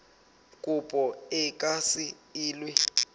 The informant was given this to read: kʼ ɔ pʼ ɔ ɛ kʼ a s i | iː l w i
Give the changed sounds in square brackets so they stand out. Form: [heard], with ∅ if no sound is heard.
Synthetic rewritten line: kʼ [u] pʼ ɔ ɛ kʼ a s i | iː l w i